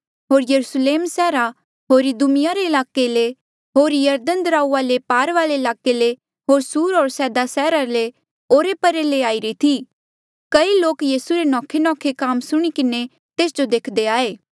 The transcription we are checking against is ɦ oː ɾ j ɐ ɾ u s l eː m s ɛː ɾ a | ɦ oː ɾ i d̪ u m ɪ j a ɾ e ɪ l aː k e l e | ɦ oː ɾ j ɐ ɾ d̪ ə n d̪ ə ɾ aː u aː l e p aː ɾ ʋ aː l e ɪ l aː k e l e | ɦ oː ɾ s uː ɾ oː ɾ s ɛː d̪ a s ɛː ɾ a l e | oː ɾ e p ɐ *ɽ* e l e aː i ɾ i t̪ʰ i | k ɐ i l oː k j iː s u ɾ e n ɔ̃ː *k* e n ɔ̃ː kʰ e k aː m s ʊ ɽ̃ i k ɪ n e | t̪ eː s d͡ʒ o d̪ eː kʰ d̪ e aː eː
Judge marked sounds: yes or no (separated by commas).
no, no